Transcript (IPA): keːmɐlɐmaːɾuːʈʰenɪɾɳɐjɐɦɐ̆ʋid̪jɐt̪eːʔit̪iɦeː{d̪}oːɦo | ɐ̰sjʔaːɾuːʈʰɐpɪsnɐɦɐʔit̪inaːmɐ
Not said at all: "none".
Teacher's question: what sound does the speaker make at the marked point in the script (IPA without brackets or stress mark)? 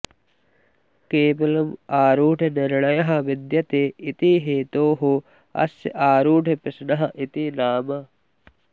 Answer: t̪